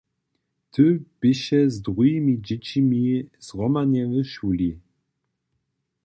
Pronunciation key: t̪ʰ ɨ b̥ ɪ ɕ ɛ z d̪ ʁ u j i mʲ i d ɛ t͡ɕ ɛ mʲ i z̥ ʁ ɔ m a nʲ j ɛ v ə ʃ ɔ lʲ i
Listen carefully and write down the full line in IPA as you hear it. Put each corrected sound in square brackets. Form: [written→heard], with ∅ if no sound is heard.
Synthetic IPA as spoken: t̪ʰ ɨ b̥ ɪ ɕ ɛ z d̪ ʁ u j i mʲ i [d→d͡ʑ] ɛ t͡ɕ [ɛ→i] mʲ i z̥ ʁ ɔ m a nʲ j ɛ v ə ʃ [ɔ→u] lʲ i